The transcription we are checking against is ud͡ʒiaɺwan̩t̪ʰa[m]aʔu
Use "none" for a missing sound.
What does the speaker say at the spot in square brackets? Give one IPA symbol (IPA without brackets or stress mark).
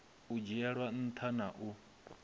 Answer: n